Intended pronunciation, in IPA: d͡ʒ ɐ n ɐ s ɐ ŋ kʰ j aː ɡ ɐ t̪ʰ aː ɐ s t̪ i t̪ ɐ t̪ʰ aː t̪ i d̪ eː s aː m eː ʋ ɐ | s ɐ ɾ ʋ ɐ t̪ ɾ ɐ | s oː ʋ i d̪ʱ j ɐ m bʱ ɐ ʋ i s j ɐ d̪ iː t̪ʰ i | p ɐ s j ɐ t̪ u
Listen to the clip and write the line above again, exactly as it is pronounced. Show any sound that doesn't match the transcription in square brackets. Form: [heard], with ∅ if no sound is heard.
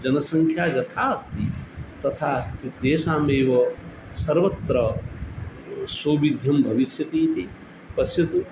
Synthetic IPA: d͡ʒ ɐ n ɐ s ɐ ŋ kʰ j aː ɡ ɐ t̪ʰ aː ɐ s t̪ i t̪ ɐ t̪ʰ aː t̪ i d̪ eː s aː m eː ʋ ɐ | s ɐ ɾ ʋ ɐ t̪ ɾ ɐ | s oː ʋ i d̪ʱ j ɐ m bʱ ɐ ʋ i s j ɐ [t̪] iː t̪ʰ i | p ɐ s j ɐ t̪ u